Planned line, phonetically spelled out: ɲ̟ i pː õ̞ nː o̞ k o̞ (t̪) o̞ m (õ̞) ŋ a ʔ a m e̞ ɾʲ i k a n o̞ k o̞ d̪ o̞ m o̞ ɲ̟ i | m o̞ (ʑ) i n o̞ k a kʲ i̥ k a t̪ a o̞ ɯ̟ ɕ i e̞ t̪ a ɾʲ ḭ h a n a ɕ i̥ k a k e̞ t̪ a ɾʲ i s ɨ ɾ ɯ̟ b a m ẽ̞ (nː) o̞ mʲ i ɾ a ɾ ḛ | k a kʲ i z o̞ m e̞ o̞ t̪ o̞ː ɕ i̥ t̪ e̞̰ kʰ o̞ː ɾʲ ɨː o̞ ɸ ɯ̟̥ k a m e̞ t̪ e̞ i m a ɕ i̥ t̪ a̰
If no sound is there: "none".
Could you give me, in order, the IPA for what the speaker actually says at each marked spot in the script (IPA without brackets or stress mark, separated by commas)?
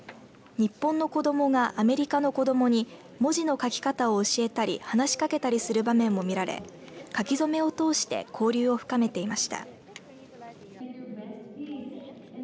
d̪, o̞, ʑ, mː